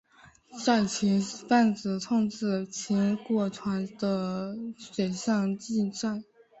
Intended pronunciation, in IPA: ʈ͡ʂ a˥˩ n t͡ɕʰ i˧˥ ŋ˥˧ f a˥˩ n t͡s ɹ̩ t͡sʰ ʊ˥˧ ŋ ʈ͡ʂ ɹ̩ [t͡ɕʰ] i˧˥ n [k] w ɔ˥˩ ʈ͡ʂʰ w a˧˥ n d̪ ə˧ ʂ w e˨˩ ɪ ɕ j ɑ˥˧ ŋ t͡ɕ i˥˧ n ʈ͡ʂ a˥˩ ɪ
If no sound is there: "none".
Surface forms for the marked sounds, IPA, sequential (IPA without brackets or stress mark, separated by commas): t͡ɕʰ, k